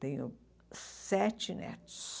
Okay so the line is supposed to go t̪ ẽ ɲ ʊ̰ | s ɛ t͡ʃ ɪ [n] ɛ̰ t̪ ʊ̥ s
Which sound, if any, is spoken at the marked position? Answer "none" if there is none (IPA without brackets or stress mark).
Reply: n